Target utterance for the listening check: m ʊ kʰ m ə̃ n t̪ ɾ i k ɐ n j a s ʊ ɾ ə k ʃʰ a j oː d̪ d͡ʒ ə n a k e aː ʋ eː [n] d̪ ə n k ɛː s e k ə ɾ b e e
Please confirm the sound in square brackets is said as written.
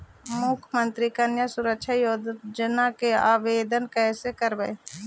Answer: no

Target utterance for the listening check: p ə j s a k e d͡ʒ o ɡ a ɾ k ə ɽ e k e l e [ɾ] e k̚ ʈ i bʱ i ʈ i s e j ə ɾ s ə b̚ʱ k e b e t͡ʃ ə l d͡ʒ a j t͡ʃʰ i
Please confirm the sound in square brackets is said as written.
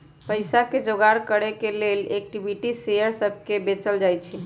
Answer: no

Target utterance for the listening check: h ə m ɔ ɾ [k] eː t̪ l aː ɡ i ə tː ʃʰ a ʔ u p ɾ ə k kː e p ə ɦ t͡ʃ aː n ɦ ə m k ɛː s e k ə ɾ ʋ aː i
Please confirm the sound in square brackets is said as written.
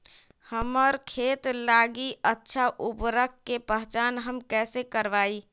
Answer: no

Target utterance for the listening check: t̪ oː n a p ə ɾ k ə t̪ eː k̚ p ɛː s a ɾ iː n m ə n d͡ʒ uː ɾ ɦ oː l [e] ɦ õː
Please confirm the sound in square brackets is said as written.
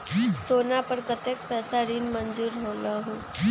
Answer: no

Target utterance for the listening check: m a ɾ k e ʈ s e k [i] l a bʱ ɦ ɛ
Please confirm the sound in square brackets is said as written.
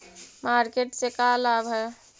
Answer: no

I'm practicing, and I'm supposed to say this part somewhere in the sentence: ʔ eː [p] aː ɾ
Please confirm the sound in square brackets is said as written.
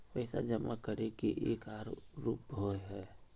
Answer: no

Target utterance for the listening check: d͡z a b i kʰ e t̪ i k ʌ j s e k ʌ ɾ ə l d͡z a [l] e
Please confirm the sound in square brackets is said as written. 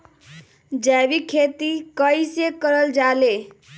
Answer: yes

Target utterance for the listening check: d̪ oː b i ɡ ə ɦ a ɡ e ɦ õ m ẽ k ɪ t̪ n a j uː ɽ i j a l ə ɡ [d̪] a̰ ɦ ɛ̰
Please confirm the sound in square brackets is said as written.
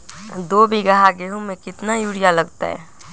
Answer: no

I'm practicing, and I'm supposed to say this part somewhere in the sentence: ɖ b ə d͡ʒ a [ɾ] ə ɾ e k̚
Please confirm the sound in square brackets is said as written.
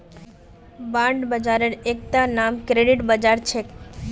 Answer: yes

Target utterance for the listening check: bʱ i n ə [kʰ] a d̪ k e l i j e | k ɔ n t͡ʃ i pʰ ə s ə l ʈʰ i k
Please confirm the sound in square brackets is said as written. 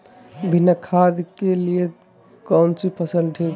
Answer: yes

